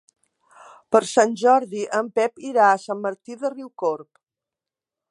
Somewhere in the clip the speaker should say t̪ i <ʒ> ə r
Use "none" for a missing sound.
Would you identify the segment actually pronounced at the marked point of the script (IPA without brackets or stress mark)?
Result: ð